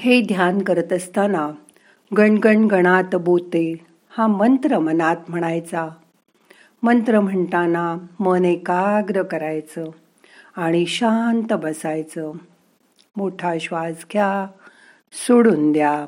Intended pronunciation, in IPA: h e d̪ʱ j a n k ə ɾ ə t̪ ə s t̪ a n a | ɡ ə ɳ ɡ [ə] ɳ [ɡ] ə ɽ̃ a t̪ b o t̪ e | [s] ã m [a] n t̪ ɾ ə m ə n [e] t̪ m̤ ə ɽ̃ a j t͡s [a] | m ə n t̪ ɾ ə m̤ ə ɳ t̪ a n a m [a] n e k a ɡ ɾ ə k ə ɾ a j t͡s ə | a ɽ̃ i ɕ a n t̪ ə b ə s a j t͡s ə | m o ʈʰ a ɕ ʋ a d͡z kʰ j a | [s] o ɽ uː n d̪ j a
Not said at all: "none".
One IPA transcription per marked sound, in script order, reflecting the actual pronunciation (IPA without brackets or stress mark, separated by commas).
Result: ə, ɡ, h, ə, a, a, ə, s